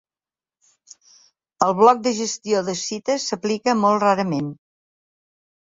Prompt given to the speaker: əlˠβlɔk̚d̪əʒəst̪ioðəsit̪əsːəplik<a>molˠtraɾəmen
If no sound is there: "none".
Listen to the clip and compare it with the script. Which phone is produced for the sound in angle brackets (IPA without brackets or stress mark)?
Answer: ə